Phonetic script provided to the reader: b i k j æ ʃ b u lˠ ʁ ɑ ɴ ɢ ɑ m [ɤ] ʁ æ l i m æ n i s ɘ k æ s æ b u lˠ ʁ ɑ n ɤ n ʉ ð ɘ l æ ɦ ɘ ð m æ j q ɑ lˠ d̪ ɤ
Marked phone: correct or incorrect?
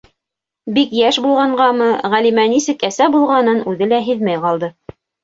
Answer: correct